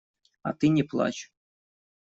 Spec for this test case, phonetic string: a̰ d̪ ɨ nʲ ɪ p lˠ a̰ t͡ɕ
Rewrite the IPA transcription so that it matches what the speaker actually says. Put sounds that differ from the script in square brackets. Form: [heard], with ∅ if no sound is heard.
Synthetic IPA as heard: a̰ [t̪] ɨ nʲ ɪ p lˠ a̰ t͡ɕ